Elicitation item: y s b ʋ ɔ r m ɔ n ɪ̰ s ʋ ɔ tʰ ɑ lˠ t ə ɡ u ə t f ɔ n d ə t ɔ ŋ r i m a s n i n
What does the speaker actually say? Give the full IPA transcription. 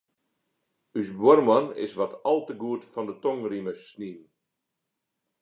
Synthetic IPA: y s b w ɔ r m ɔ n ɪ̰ s ʋ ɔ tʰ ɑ lˠ t ə ɡ u ə t f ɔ n d ə t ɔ ŋ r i m ə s n i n